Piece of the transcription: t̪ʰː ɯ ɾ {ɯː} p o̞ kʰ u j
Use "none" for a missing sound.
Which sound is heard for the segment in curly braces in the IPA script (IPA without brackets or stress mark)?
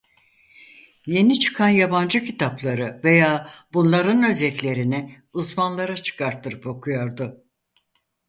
ɯ